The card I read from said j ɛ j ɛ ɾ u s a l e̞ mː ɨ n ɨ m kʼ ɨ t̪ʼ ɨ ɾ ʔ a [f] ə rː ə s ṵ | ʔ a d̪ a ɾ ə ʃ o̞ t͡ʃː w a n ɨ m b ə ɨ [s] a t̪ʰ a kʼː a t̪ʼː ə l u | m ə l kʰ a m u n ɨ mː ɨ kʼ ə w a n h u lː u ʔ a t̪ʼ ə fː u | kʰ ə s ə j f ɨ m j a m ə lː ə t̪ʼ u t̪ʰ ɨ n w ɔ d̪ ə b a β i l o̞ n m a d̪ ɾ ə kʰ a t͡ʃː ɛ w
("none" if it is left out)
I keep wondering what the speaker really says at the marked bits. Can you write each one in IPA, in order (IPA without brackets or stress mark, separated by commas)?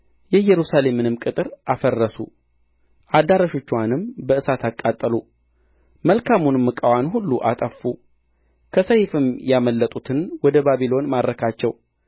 f, s